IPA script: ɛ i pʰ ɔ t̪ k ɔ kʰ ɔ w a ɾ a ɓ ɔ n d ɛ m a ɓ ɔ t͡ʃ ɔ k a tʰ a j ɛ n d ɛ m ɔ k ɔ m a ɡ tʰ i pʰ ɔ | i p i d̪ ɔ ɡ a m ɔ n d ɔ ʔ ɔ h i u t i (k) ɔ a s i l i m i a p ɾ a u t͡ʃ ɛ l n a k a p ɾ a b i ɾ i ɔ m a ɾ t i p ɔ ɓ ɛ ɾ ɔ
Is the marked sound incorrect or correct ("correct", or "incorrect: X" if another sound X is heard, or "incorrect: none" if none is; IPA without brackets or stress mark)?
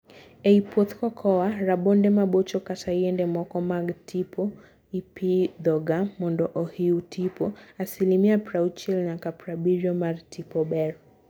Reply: incorrect: p